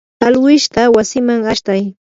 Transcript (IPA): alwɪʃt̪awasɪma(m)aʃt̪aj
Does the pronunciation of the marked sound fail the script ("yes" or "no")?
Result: yes